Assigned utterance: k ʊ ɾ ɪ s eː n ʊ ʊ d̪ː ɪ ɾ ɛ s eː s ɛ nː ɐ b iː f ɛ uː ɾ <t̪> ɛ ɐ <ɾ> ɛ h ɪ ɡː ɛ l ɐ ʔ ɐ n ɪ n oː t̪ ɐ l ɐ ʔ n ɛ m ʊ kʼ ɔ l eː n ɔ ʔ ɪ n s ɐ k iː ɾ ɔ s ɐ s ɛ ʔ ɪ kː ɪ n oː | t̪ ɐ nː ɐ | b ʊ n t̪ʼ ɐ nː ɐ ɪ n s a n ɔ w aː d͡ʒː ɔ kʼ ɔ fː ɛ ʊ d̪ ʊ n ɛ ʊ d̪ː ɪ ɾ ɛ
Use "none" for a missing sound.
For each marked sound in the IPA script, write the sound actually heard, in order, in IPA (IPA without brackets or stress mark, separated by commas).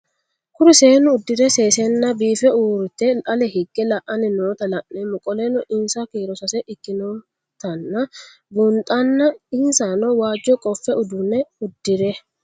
t̪, l